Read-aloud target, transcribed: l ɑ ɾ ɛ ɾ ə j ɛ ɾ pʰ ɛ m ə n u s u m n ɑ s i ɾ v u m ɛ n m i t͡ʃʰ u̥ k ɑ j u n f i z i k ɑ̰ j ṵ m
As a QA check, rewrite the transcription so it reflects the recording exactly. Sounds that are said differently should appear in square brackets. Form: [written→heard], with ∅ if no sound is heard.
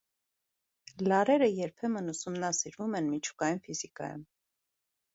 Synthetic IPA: l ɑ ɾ ɛ ɾ ə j ɛ ɾ pʰ ɛ m ə n u s u m n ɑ s i ɾ v u m ɛ n m i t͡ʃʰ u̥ k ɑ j u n f i z i k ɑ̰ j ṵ m